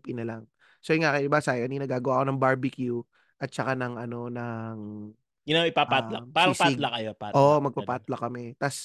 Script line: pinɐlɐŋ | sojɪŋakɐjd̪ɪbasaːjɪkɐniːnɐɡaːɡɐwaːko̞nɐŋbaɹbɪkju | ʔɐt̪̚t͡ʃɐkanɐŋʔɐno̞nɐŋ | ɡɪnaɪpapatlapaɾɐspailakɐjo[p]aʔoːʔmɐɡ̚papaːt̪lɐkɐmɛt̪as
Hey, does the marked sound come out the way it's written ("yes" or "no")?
yes